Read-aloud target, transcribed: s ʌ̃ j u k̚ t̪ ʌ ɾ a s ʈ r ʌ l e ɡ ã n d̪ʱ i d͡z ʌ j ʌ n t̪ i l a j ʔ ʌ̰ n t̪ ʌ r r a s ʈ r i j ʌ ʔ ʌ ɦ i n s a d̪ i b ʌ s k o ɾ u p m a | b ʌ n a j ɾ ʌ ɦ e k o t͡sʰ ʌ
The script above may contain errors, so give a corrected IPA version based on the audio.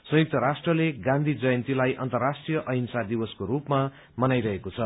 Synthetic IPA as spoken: s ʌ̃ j u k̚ t̪ ʌ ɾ a s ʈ r ʌ l e ɡ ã n d̪ʱ i d͡z ʌ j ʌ n t̪ i l a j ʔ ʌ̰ n t̪ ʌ r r a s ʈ r i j ʌ ʔ ʌ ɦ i n s a d̪ i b ʌ s k o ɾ u p m a | m ʌ n a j ɾ ʌ ɦ e k o t͡sʰ ʌ